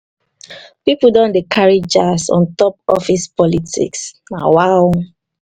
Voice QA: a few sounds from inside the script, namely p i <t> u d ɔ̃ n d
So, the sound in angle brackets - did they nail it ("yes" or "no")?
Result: no